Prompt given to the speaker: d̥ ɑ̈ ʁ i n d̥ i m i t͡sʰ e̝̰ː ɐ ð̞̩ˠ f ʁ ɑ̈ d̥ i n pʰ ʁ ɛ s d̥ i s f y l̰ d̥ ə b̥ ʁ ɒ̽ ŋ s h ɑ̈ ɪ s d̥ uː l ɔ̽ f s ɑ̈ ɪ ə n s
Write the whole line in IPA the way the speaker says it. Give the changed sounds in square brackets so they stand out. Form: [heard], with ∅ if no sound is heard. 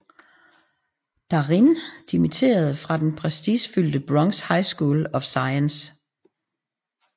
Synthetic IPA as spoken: d̥ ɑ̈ ʁ i n d̥ i m i t͡sʰ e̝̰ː ɐ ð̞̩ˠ f ʁ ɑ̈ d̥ [e] n pʰ ʁ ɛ s d̥ i s f y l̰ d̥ ə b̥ ʁ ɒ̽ ŋ s h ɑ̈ ɪ s [ɡ̥] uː l [ɒ̽] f s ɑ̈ ɪ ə n s